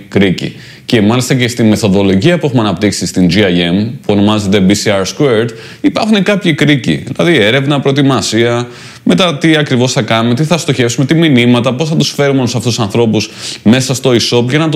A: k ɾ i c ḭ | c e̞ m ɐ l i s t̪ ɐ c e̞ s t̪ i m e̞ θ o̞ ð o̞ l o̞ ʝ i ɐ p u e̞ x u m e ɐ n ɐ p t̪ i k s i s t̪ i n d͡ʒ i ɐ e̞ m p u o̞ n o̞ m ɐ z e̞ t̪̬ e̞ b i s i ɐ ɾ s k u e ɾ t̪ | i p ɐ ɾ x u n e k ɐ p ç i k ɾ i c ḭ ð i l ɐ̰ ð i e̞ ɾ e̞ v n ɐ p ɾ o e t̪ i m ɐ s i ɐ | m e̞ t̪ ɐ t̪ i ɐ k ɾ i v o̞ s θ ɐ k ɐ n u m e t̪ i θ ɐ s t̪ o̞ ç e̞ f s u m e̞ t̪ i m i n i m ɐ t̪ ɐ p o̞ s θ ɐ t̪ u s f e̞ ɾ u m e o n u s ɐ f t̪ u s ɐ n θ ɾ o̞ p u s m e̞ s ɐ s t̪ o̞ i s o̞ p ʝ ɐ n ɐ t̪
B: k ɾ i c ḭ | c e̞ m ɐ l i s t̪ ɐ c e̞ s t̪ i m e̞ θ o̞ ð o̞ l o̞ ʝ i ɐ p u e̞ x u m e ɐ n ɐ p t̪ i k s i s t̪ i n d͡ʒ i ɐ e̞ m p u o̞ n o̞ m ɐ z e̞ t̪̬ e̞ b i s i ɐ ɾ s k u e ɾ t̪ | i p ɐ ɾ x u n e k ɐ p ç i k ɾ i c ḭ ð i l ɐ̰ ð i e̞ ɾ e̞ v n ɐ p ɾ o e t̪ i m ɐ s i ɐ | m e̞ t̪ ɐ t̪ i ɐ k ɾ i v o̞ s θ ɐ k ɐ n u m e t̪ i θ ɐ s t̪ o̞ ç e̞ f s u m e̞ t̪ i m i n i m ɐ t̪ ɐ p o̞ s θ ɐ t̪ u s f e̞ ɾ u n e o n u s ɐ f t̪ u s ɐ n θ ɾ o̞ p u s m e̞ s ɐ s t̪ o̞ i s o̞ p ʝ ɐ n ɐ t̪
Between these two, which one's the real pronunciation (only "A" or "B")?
A